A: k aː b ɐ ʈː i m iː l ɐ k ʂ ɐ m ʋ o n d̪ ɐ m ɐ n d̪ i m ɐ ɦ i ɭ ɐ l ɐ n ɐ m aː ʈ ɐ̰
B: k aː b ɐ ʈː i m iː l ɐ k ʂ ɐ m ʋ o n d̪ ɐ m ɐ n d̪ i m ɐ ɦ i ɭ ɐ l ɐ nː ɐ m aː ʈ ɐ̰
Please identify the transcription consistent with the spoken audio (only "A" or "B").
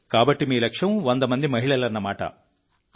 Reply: B